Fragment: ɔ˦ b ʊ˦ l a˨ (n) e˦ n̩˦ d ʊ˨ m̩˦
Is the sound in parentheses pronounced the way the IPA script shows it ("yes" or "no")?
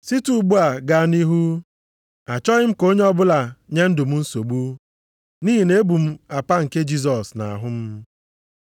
no